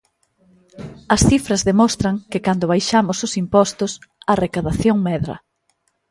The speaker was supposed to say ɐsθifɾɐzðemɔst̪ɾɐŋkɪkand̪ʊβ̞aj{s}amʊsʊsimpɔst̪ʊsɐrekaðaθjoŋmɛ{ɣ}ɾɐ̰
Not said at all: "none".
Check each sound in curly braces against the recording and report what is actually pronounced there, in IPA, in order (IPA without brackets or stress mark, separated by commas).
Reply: ʃ, ð